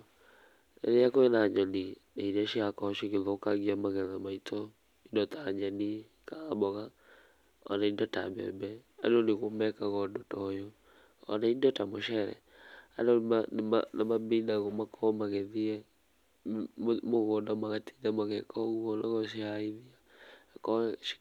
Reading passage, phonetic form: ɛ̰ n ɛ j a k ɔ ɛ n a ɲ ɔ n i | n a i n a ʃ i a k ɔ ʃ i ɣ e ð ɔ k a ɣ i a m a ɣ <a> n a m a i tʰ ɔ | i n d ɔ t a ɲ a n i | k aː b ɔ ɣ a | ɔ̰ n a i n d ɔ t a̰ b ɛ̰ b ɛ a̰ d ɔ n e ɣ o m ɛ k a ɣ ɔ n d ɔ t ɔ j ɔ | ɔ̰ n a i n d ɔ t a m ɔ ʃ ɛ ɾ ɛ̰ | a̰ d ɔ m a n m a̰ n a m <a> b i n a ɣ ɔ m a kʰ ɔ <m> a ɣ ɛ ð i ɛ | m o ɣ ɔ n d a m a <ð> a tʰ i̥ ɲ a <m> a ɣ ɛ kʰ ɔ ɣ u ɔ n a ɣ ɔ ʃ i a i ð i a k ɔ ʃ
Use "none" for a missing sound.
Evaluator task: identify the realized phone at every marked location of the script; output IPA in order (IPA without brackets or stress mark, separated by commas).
ɛ, a, m, ɣ, m